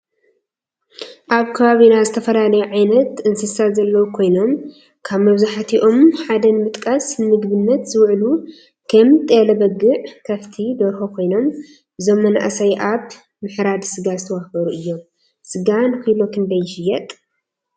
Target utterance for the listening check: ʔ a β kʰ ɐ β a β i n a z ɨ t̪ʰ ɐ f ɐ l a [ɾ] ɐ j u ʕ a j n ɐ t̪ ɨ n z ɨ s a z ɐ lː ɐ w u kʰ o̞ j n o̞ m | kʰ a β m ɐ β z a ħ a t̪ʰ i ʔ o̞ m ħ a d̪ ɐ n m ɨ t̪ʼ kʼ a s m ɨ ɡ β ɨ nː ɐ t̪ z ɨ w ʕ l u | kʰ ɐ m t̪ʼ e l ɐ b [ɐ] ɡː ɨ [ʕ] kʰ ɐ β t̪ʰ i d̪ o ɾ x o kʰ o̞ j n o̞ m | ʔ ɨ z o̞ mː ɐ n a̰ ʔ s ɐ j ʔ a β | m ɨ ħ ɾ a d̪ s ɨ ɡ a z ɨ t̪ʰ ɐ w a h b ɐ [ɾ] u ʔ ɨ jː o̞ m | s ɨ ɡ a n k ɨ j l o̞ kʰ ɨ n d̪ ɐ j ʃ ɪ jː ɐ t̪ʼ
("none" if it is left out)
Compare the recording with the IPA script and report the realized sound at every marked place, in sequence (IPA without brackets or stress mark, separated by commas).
l, ɐ, ʕ, ɾ